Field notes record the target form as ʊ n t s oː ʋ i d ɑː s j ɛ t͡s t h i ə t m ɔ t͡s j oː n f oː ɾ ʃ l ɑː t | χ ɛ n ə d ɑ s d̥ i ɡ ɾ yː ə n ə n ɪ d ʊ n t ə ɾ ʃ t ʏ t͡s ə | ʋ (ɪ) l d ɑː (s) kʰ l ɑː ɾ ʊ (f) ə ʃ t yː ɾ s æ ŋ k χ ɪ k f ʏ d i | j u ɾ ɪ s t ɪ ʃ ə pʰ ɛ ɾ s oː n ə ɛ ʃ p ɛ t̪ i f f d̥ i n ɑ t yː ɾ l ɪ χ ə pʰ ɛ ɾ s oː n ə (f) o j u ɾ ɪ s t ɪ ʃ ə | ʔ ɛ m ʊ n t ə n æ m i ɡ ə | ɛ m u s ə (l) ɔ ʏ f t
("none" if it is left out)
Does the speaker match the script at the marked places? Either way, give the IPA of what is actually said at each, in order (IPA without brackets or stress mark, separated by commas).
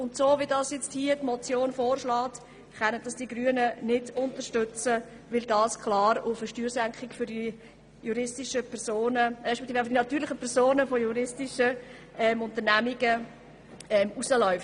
ɪ, s, f, f, l